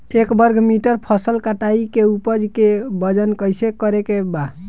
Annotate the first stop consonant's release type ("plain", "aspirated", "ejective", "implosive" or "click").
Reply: plain